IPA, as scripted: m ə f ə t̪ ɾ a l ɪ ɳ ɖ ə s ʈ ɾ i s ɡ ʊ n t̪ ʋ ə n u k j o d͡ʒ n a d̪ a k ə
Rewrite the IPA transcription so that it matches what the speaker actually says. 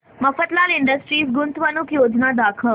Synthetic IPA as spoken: m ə f ə t̪ l a l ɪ ɳ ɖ ə s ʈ ɾ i s ɡ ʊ n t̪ ʋ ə n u k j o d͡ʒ n a d̪ a kʰ ə